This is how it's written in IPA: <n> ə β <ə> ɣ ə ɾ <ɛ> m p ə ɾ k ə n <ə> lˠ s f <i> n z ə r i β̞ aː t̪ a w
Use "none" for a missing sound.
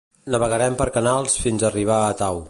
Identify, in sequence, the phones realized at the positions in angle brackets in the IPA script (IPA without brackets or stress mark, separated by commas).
n, ə, ɛ, a, i